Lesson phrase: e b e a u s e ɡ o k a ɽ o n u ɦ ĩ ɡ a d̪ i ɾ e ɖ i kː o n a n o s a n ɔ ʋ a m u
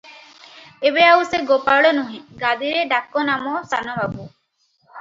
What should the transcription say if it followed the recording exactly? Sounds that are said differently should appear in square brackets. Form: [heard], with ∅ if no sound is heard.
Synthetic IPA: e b e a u s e ɡ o [p] a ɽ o n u ɦ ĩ ɡ a d̪ i ɾ e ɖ [a] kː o n a [m] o s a n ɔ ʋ a [b] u

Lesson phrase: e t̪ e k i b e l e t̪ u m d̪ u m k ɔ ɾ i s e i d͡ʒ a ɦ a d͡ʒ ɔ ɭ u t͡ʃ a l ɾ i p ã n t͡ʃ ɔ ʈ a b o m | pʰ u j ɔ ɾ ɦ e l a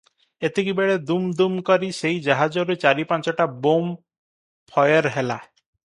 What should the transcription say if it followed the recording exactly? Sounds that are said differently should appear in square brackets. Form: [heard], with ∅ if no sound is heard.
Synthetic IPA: e t̪ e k i b e [ɭ] e [d̪] u m d̪ u m k ɔ ɾ i s e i d͡ʒ a ɦ a d͡ʒ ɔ [ɾ] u t͡ʃ a [∅] ɾ i p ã n t͡ʃ ɔ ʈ a b o m | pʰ [ɔ] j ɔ ɾ ɦ e l a

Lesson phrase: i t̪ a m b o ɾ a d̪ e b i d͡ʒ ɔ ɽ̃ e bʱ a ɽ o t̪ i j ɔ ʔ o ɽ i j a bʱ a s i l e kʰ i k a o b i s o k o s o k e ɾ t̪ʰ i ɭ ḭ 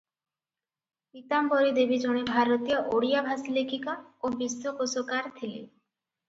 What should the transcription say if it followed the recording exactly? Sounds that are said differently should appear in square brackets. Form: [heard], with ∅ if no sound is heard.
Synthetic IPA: i t̪ a m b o ɾ [i] d̪ e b i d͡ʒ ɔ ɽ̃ e bʱ a [ɾ] o t̪ i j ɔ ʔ o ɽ i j a bʱ a s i l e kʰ i k a o b i s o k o s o k [a] ɾ t̪ʰ i [l] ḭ

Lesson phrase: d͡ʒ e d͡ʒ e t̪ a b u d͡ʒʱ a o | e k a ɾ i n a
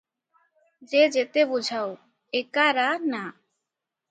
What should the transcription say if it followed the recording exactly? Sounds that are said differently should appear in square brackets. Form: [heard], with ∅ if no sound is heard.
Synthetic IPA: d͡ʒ e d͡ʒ e t̪ [e] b u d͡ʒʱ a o | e k a ɾ [a] n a

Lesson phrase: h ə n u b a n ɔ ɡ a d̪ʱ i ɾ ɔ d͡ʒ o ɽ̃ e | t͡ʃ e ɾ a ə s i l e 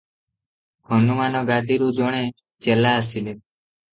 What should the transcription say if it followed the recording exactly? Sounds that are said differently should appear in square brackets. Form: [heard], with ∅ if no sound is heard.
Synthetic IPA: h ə n u [m] a n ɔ ɡ a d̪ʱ i ɾ [u] d͡ʒ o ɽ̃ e | t͡ʃ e [l] a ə s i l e

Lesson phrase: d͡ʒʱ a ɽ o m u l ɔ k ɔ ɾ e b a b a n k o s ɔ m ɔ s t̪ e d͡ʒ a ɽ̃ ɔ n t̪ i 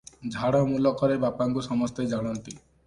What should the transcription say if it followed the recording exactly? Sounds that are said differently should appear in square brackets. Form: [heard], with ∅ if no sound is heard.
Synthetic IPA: d͡ʒʱ a ɽ [ɔ] m u l ɔ k ɔ ɾ e b a [p] a [ŋ] k [u] s ɔ m ɔ s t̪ e d͡ʒ a ɽ̃ ɔ n t̪ i

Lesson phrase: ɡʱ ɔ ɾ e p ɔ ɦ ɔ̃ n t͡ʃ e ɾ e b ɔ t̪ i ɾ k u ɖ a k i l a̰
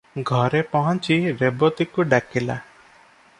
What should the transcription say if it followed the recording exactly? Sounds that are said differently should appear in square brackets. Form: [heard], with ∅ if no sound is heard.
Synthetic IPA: ɡʱ ɔ ɾ e p ɔ ɦ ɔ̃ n t͡ʃ [i] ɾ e b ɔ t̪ i [∅] k u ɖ a k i l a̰

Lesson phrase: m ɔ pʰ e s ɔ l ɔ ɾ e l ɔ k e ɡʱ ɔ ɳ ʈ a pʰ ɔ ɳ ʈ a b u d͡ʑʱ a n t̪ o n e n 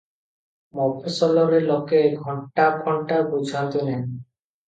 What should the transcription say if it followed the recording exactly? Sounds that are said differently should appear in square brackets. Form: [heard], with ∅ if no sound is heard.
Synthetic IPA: m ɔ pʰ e s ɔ l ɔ ɾ e l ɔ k e ɡʱ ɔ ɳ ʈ a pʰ ɔ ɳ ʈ a b u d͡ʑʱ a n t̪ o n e n

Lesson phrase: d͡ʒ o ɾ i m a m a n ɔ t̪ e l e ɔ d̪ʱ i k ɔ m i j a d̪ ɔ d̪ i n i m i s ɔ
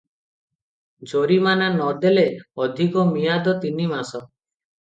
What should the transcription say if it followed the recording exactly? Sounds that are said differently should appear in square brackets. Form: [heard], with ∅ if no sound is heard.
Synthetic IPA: d͡ʒ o ɾ i m a [n] a n ɔ [d̪] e l e ɔ d̪ʱ i k ɔ m i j a d̪ ɔ [t̪] i n i m [a] s ɔ

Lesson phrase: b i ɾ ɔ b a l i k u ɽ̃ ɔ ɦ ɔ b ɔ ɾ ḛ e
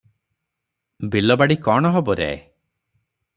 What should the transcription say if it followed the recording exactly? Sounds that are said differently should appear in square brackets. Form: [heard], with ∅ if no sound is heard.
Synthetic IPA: b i [l] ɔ b a [ɽ] i k [ɔ] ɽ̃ ɔ ɦ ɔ b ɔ ɾ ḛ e

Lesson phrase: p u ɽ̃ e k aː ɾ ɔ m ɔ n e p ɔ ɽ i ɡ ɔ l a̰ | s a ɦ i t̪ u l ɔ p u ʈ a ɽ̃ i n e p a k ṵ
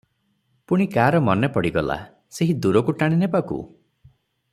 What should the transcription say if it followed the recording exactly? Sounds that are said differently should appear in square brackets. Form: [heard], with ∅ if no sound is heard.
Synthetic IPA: p u ɽ̃ [i] k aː ɾ ɔ m ɔ n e p ɔ ɽ i ɡ ɔ l a̰ | s [e] ɦ i [d̪] u [ɾ] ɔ [k] u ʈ a ɽ̃ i n e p a k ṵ

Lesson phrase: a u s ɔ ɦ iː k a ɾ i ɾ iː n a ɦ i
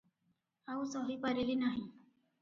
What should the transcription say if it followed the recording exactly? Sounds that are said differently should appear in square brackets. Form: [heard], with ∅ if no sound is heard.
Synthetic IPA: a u s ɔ ɦ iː [p] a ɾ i [l] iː n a ɦ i

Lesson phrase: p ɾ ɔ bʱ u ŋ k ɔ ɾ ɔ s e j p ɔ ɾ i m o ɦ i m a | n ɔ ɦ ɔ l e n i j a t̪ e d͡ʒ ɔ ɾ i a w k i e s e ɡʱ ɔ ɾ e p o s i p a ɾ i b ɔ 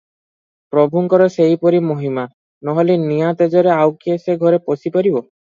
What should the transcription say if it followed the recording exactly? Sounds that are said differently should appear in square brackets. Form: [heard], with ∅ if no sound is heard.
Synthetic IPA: p ɾ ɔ bʱ u ŋ k ɔ ɾ ɔ s e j p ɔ ɾ i m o ɦ i m a | n ɔ ɦ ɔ l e n i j a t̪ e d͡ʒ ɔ ɾ [e] a w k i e s e ɡʱ ɔ ɾ e p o s i p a ɾ i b ɔ

